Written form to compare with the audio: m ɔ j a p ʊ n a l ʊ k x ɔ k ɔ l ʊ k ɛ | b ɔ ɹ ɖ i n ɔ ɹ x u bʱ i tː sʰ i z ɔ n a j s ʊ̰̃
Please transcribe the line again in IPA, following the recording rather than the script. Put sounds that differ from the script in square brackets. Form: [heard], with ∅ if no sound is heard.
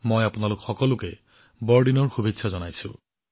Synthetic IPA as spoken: m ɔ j a p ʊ n a l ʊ k x ɔ k ɔ l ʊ k ɛ | b ɔ ɹ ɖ i n ɔ ɹ x u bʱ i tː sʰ [a] z ɔ n a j s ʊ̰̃

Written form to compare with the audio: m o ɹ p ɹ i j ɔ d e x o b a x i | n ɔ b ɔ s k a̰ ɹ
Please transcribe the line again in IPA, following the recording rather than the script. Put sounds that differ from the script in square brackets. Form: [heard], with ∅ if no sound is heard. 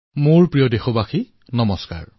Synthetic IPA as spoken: m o ɹ p ɹ i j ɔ d e x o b a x i | n ɔ [m] ɔ s k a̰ ɹ

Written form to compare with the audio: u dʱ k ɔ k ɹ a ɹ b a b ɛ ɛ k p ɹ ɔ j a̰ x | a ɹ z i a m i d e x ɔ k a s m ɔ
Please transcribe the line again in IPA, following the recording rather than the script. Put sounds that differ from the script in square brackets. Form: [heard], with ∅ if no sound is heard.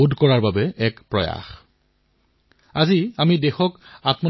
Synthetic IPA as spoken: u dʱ k ɔ [∅] ɹ a ɹ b a b ɛ ɛ k p ɹ ɔ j a̰ x | a [∅] z i a m i d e x ɔ k a [t] m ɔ

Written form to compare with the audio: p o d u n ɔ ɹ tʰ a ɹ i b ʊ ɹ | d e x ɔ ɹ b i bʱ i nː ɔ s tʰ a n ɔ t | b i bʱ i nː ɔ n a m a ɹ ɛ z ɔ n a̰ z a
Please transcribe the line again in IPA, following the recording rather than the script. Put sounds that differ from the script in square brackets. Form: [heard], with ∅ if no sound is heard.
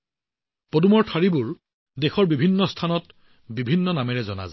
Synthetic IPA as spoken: p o d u [m] ɔ ɹ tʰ a ɹ i b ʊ ɹ | d e x ɔ ɹ b i bʱ i nː ɔ s tʰ a n ɔ t | b i bʱ i nː ɔ n a m [ɛ] ɹ ɛ z ɔ n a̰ z a

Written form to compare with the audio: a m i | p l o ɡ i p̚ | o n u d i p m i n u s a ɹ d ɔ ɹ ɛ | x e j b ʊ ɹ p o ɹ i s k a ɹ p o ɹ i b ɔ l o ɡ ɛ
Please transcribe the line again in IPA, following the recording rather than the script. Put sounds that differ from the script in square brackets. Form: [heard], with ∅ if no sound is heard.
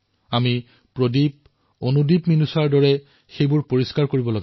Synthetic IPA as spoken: a m i | p [ɹ] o [d] i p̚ | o n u d i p m i n u s a ɹ d ɔ ɹ ɛ | x e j b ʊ ɹ p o ɹ i s k a ɹ [k] o ɹ i b ɔ l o ɡ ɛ

